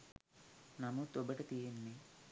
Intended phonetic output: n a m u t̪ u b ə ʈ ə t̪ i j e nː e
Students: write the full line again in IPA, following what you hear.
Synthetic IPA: n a m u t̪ o b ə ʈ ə t̪ i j e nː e